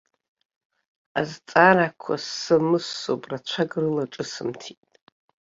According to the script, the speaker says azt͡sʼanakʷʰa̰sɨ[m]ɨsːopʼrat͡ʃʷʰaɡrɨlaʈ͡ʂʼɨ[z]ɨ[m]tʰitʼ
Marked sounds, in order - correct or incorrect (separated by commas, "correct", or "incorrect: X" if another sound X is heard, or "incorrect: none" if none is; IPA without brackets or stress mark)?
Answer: correct, incorrect: s, correct